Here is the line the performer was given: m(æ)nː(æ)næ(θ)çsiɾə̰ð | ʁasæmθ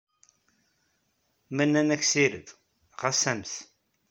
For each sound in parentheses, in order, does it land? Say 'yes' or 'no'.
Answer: yes, yes, no

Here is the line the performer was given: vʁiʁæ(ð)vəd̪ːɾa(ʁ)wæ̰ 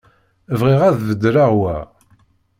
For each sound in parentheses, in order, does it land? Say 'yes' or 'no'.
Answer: yes, yes

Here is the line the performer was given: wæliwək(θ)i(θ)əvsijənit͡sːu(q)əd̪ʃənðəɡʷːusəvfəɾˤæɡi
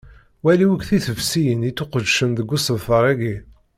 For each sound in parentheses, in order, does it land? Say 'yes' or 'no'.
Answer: yes, yes, yes

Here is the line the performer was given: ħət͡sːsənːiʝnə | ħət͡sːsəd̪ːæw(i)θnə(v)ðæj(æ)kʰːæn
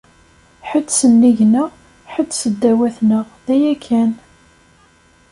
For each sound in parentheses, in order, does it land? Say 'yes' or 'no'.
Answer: no, no, yes

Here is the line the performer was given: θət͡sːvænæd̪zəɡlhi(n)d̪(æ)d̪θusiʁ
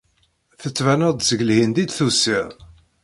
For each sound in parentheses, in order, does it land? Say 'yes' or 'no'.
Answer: yes, no

